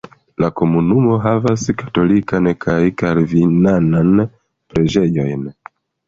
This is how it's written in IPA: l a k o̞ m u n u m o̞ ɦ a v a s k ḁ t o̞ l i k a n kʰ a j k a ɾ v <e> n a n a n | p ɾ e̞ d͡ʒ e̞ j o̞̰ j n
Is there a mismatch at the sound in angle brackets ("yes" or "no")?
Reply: yes